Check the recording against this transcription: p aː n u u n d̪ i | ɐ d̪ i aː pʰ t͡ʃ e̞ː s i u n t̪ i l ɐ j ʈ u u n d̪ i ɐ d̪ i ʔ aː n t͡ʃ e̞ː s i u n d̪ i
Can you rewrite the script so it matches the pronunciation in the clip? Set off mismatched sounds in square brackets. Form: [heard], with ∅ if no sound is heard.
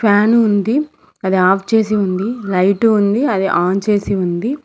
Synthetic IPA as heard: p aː n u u n d̪ i | ɐ d̪ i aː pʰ t͡ʃ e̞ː s i u n [d̪] i l ɐ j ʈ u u n d̪ i ɐ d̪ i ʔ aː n t͡ʃ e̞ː s i u n d̪ i